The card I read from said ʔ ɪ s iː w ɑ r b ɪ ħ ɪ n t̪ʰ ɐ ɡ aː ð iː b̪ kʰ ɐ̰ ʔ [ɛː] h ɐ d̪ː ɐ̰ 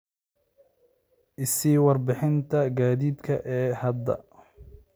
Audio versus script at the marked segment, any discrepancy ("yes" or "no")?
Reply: no